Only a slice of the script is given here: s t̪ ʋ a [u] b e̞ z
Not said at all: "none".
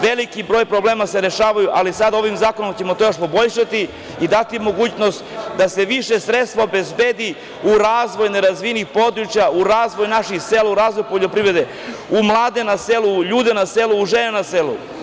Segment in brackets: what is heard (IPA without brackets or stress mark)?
o